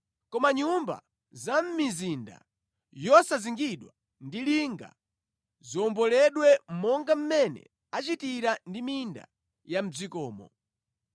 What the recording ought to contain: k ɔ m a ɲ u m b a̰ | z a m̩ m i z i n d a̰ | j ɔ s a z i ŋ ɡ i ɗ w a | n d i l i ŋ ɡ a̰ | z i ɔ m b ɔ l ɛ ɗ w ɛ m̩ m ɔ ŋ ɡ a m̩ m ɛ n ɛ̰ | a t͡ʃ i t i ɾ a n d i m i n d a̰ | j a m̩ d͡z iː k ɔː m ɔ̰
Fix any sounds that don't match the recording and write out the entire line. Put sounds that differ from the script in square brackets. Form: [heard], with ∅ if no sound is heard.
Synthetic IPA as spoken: k ɔ m a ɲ u m b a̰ | z a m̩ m i z i n d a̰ | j ɔ s a z i ŋ ɡ i ɗ w a | n d i l i ŋ ɡ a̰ | z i ɔ m b ɔ l ɛ ɗ w ɛ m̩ m ɔ ŋ ɡ a m̩ m ɛ n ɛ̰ | a t͡ʃ i t i ɾ a n d i m i n d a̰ | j a m̩ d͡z [i] k ɔː m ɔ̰